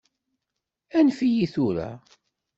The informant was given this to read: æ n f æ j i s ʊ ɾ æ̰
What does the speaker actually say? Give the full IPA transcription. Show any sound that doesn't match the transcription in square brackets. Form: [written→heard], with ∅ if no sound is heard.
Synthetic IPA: æ n f [æ→i] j i [s→θ] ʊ ɾ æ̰